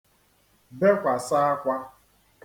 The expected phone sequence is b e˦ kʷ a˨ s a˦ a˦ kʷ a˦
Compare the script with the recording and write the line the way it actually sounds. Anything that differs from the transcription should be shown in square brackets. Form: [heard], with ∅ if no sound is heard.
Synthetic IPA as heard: b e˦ kʷ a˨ s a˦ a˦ kʷ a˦